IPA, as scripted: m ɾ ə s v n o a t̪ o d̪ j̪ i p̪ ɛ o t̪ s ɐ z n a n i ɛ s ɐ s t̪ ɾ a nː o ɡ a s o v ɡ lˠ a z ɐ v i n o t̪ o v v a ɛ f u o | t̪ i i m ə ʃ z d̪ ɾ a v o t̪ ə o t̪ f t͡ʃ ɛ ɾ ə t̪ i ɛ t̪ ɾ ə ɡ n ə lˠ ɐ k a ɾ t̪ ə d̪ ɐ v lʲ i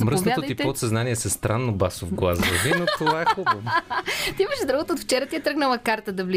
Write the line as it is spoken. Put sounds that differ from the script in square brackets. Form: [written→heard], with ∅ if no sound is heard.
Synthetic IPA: m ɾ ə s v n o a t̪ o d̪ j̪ i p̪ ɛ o t̪ s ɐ z n a n i ɛ s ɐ s t̪ ɾ a nː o [ɡ→b] a s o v ɡ lˠ a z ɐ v i n o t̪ o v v a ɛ [f→x] u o | t̪ i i m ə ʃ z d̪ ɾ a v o t̪ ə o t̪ f t͡ʃ ɛ ɾ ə t̪ i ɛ t̪ ɾ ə ɡ n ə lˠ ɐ k a ɾ t̪ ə d̪ ɐ v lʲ i